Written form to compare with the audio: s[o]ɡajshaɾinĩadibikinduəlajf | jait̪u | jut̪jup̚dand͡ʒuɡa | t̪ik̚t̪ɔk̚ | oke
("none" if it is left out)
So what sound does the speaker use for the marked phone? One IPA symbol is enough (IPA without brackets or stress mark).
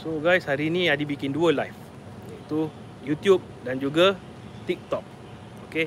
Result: o